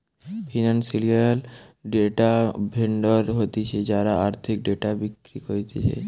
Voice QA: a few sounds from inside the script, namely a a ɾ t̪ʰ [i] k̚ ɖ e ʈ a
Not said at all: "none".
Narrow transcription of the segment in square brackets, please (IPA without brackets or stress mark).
i